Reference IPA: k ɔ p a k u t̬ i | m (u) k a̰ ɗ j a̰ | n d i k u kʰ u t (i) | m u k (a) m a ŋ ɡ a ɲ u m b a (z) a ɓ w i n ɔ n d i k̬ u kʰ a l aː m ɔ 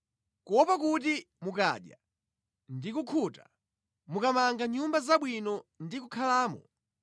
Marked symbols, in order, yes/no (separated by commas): yes, no, yes, yes